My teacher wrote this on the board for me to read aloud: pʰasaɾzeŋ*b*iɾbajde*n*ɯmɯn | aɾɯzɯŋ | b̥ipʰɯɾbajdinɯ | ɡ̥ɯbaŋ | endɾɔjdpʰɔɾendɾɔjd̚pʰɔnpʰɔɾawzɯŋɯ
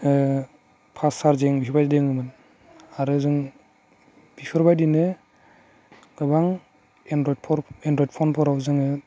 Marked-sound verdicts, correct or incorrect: correct, incorrect: ŋ

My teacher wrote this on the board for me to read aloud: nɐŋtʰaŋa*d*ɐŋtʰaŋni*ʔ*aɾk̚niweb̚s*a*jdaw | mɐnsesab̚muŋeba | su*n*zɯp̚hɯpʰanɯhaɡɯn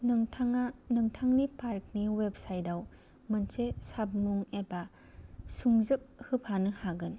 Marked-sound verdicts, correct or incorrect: incorrect: n, incorrect: p, correct, incorrect: ŋ

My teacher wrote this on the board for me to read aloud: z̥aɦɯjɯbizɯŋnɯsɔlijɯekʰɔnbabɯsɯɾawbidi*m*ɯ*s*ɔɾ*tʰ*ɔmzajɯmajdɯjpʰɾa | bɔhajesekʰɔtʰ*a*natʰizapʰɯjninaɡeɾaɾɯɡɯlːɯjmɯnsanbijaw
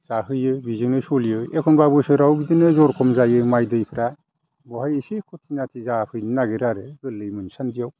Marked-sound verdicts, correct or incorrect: incorrect: n, incorrect: z, incorrect: kʰ, incorrect: i

